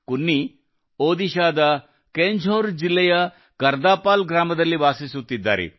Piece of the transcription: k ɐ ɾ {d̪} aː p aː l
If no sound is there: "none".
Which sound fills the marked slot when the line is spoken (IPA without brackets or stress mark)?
d̪